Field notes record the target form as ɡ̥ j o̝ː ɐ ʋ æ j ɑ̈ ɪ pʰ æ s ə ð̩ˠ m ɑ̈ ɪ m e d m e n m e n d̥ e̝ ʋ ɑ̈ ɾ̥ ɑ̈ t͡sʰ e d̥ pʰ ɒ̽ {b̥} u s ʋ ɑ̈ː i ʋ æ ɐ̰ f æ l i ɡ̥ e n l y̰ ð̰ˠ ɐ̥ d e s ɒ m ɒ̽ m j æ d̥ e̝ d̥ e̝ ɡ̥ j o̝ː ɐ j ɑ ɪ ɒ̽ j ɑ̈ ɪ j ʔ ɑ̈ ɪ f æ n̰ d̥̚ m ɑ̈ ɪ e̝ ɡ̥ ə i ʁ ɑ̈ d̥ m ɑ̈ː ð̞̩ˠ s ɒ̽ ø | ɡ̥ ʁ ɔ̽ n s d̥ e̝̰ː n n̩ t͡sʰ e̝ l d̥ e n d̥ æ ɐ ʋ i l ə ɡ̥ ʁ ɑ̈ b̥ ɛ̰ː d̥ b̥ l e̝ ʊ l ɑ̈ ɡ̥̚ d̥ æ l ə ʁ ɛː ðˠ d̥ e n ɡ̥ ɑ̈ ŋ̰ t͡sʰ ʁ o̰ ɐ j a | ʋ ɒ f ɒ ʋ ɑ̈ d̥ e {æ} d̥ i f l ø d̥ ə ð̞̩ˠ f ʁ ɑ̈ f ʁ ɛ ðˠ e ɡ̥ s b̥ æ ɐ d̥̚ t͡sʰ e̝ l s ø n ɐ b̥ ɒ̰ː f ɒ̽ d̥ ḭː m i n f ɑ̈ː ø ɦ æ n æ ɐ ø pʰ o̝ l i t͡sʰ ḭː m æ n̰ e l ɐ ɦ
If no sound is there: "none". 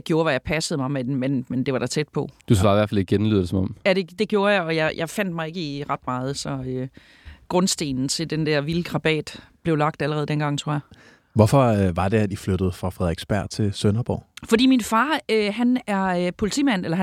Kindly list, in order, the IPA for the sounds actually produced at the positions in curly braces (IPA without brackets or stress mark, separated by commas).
d̥, æ